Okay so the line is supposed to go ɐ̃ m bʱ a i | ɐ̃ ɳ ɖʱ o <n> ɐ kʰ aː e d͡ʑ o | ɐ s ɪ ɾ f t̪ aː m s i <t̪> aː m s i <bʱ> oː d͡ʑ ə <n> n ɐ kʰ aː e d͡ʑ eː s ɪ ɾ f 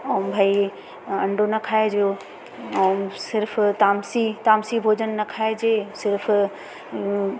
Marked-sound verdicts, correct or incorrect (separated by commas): correct, correct, correct, correct